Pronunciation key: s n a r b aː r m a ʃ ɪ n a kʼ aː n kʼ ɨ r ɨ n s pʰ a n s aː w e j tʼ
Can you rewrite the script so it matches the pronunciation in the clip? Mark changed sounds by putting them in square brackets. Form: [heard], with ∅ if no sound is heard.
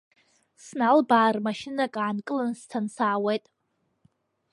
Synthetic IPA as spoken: s n a [l] b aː r m a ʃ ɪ n a kʼ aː n kʼ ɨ [l] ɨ n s [tʰ] a n s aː w e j tʼ